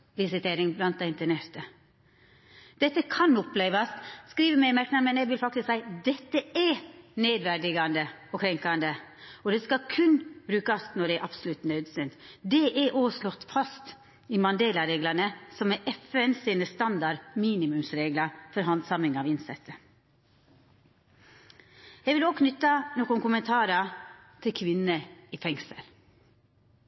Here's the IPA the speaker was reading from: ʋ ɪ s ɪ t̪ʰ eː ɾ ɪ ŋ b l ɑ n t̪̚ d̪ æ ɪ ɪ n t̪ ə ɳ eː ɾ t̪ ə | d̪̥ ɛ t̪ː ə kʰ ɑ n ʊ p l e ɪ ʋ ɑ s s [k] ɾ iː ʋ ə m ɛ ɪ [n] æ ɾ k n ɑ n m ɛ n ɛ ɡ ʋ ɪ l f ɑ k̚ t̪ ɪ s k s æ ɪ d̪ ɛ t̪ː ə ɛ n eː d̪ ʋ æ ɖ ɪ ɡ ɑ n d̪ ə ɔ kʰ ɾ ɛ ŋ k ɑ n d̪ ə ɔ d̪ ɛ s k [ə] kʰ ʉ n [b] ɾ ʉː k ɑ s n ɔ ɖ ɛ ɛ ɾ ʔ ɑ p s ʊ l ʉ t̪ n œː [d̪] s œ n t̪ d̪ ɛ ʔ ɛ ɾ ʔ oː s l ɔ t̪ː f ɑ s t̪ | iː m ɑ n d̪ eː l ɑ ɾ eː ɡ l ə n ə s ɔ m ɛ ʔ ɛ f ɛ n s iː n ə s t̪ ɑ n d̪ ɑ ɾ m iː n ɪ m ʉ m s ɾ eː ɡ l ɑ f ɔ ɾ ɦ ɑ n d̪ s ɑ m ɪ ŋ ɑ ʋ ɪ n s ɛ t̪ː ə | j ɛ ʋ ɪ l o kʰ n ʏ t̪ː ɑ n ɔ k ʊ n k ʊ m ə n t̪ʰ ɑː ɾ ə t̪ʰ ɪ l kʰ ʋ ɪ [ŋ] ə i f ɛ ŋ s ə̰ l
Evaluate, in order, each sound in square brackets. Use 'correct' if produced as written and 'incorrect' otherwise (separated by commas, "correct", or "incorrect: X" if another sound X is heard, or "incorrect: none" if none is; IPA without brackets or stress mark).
correct, incorrect: m, incorrect: ɑ, correct, correct, incorrect: n